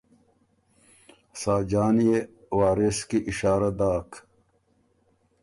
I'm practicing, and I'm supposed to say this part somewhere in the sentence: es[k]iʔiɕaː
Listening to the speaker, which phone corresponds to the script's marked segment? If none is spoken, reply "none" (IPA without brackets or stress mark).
k